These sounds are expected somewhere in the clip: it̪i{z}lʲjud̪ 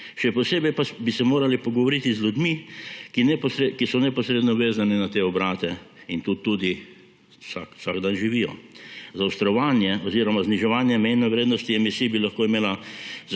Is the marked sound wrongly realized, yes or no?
no